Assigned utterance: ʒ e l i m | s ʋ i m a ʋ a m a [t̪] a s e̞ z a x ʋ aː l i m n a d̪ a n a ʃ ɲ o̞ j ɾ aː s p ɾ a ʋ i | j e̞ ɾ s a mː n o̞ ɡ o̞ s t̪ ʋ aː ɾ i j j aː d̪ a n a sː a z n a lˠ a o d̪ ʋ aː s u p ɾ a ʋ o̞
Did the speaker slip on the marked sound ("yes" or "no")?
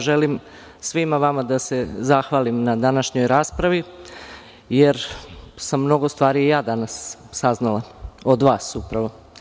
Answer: yes